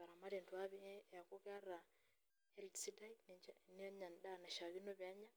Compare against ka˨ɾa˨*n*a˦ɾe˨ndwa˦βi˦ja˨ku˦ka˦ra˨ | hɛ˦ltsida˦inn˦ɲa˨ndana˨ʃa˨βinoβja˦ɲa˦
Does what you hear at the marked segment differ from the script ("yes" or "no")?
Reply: yes